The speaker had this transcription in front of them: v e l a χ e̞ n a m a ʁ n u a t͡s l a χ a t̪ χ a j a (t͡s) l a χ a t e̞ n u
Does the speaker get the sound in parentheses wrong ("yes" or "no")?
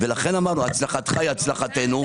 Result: no